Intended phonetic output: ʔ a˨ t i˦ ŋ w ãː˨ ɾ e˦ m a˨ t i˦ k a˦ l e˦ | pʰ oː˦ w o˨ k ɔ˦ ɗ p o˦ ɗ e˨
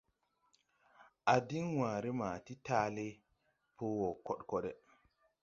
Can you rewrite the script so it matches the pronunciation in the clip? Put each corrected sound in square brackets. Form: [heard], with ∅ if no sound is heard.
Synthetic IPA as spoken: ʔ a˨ [d] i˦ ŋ w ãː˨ ɾ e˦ m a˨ t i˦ [t] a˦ l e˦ | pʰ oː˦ w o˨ k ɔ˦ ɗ [k] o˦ ɗ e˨